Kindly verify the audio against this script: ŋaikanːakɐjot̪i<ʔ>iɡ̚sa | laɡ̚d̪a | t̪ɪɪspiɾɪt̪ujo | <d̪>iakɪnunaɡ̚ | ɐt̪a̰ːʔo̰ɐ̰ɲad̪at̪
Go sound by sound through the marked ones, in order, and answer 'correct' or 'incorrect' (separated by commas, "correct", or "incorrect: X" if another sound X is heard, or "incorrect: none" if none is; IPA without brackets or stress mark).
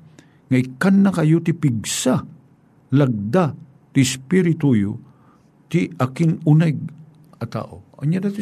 incorrect: p, incorrect: t̪